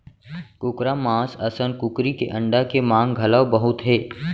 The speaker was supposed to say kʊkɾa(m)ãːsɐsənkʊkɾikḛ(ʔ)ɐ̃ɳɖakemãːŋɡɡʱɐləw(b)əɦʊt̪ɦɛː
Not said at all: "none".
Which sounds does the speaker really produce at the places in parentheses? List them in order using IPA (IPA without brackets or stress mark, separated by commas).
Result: m, ʔ, b